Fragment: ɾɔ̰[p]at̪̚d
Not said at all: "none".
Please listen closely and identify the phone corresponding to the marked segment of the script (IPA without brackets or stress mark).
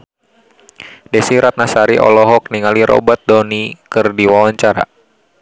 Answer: b